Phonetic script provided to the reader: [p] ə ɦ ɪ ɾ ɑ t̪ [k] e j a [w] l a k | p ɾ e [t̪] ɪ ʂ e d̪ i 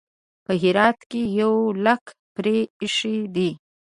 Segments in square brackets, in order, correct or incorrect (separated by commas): correct, correct, correct, incorrect